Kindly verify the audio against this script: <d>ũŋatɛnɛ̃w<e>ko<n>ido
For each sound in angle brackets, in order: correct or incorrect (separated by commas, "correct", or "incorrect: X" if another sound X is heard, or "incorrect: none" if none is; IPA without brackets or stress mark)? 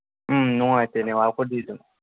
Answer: incorrect: n, incorrect: a, incorrect: d